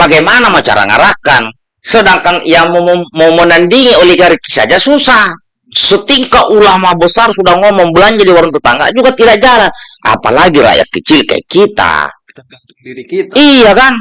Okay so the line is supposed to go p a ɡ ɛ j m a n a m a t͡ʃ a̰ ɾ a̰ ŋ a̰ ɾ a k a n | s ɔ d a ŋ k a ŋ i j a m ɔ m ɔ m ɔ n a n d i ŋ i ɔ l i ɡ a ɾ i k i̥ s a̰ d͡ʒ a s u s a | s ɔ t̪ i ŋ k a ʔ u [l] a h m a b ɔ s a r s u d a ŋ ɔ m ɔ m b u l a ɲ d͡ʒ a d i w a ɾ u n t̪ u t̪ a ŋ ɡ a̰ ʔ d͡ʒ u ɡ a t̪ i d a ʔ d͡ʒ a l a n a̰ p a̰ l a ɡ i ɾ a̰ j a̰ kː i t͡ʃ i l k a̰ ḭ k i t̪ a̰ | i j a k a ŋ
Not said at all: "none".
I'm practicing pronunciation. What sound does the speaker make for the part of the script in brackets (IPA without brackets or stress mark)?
l